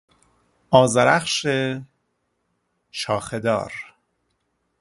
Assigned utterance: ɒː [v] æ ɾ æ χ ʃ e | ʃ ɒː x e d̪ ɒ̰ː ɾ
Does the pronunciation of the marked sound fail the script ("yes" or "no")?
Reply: yes